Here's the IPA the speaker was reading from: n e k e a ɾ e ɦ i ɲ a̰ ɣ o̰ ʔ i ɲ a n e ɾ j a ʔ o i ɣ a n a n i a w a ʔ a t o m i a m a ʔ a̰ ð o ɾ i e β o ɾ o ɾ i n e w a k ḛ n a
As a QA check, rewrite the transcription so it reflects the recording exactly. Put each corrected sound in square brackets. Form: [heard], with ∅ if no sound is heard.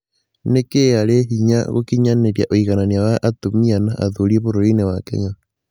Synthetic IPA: n e k e a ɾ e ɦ i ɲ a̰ ɣ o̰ [k] i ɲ a n e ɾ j a ʔ o i ɣ a n a n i a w a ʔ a t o m i a [n] a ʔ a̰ ð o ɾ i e β o ɾ o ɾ i n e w a k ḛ [ɲ] a